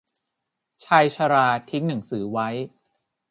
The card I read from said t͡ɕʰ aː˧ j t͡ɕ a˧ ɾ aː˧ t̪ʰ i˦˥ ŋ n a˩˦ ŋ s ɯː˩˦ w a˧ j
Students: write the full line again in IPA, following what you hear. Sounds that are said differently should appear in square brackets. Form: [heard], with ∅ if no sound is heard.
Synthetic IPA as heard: t͡ɕʰ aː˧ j [t͡ɕʰ] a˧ ɾ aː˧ t̪ʰ i˦˥ ŋ n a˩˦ ŋ s ɯː˩˦ w [a˦˥] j